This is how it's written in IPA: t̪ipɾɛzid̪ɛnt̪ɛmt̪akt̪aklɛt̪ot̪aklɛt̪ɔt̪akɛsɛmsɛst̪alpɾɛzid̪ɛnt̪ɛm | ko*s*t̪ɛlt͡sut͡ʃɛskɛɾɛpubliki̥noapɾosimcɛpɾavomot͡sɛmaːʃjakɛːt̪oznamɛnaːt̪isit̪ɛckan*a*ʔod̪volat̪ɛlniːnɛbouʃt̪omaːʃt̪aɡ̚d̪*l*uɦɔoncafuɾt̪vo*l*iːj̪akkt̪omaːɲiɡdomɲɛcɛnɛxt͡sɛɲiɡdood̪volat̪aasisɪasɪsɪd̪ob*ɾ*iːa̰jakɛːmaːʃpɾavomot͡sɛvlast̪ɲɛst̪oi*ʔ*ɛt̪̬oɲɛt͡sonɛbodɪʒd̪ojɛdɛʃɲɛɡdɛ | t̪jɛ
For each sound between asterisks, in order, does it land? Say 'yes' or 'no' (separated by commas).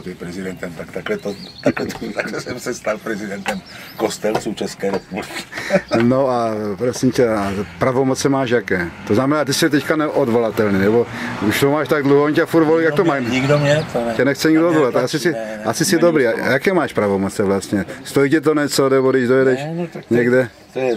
yes, no, yes, yes, yes, no